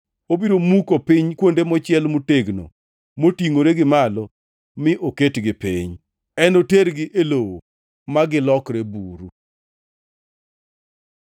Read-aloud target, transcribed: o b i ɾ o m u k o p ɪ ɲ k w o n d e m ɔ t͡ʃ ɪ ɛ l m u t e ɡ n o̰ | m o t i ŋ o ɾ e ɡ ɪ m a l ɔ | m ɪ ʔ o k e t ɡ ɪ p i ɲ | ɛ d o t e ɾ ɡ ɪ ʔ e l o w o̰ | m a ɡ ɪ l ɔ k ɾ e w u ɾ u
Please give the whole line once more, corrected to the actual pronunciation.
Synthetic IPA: o b i ɾ o m u k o p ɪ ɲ k w o n d e m ɔ t͡ʃ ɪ ɛ l m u t e ɡ n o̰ | m o t i ŋ o ɾ e ɡ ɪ m a l ɔ | m ɪ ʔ o k e t ɡ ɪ p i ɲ | ɛ n o t e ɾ ɡ ɪ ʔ e l o w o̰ | m a ɡ ɪ l ɔ k ɾ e b u ɾ u